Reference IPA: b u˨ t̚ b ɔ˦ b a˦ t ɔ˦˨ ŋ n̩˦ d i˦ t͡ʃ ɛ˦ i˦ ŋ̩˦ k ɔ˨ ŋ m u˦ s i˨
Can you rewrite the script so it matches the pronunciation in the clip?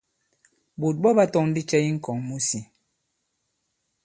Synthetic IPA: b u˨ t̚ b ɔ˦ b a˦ t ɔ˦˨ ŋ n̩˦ d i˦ t͡ʃ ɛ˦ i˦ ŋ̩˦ k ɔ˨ ŋ m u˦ s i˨